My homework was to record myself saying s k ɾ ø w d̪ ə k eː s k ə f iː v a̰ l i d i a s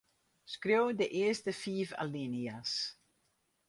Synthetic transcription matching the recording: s k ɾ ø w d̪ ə ʔ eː s t ə f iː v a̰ l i n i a s